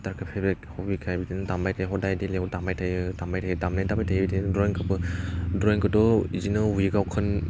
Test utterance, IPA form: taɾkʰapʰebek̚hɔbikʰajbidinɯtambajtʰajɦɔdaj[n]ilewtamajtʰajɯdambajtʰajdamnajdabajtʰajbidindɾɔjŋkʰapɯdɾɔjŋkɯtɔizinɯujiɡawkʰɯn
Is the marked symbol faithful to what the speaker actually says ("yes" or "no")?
no